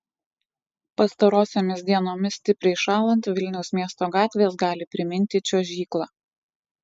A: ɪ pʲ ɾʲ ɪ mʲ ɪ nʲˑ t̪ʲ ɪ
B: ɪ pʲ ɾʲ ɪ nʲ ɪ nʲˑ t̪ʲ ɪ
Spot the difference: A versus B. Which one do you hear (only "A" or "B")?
A